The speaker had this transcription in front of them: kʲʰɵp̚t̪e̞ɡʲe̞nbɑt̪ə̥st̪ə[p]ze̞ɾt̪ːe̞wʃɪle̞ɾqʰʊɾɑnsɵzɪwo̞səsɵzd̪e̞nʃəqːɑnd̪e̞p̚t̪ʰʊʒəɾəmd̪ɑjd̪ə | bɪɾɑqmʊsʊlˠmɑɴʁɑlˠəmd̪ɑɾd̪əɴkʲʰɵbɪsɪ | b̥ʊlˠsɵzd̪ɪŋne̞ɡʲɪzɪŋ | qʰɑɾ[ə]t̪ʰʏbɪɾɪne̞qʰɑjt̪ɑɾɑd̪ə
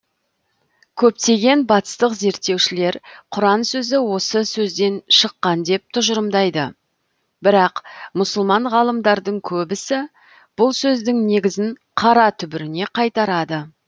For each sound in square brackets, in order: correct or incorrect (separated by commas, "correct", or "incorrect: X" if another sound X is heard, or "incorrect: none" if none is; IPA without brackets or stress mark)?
incorrect: q, incorrect: ɑ